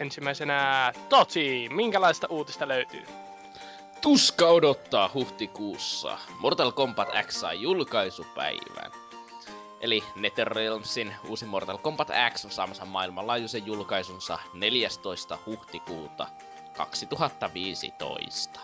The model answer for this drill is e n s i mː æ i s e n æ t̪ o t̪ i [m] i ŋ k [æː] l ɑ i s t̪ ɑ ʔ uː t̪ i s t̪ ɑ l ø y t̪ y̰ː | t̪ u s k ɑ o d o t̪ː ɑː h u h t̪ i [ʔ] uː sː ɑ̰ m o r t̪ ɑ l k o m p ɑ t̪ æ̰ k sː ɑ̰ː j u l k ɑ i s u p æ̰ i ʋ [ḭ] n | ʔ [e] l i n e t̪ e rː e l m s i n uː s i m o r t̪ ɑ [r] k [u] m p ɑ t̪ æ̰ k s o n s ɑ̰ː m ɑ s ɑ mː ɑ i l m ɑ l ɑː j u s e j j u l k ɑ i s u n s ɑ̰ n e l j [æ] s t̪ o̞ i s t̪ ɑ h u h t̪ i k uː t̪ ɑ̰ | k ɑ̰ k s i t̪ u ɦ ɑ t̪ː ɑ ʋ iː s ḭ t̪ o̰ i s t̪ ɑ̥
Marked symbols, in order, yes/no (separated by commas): yes, no, no, no, yes, no, no, yes